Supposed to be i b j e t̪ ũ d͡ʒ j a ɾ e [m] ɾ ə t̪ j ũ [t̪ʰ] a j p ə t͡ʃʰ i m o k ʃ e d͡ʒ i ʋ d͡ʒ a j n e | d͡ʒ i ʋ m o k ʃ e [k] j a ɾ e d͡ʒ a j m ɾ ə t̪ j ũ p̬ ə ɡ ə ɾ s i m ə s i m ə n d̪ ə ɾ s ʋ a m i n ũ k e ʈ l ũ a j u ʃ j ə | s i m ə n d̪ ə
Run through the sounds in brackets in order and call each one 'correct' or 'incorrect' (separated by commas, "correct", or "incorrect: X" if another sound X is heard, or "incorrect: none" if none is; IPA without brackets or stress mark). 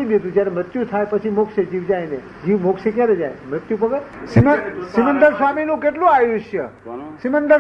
correct, correct, correct